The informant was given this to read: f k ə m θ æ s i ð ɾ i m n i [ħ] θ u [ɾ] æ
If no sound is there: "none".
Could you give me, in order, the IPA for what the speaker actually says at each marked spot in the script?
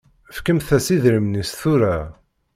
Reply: s, ɾ

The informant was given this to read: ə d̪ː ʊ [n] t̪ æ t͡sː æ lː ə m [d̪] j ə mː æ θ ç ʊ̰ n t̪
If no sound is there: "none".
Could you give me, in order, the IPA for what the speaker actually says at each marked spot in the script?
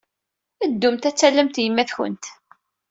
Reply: m, t̪

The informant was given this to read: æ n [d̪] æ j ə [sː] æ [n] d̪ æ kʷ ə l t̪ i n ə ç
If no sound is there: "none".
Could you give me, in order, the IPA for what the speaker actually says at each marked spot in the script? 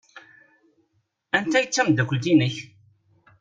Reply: t̪, t͡sː, m

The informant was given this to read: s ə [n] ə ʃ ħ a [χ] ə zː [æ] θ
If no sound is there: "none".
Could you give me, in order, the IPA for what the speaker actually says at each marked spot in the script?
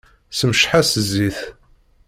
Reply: m, s, i

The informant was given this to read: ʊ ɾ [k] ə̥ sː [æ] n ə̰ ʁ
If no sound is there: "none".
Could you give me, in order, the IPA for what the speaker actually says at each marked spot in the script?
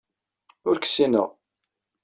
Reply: k, i

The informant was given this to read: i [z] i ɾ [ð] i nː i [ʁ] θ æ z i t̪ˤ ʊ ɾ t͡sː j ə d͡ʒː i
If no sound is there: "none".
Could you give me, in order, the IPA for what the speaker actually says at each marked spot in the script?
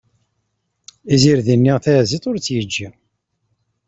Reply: z, ð, ʁ

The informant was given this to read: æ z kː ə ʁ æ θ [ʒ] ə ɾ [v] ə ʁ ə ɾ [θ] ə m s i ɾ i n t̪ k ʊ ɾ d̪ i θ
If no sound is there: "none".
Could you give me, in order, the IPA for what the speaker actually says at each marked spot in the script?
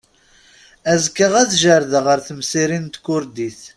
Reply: ʒ, ð, θ

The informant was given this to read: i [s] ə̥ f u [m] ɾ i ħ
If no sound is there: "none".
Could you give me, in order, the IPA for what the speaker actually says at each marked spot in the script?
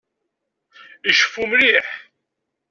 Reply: ʃ, m

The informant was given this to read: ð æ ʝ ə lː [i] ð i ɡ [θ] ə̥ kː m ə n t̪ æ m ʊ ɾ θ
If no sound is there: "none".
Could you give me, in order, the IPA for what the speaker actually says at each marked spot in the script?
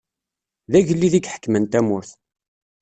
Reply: i, ħ

